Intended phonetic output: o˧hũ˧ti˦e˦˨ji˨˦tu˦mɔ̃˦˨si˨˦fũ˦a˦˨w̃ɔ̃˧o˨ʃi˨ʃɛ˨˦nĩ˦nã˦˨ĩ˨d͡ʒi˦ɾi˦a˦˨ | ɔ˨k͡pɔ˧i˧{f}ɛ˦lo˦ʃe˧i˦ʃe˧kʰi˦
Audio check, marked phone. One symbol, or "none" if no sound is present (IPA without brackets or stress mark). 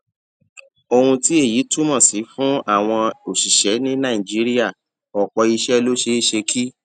ʃ